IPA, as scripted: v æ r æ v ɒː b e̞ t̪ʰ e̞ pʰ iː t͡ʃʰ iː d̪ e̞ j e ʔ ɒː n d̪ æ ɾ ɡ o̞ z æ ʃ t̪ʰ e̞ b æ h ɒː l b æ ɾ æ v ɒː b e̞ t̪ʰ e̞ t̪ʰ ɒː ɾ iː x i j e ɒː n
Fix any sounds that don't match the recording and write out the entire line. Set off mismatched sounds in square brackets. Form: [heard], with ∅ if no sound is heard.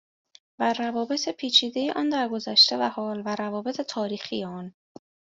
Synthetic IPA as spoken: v æ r æ v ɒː b e̞ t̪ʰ e̞ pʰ iː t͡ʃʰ iː d̪ e̞ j e ʔ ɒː n d̪ æ ɾ ɡ o̞ z æ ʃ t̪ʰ e̞ [v] æ h ɒː l [v] æ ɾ æ v ɒː b e̞ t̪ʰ e̞ t̪ʰ ɒː ɾ iː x i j e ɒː n